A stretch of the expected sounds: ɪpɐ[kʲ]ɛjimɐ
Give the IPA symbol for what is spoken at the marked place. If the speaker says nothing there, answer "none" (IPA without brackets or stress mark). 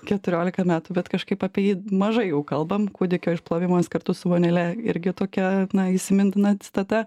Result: pʲ